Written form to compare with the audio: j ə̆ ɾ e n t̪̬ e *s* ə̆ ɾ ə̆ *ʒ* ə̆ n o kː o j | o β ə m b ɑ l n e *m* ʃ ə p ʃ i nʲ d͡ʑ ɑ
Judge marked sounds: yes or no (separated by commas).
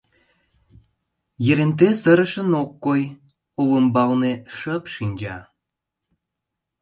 yes, no, no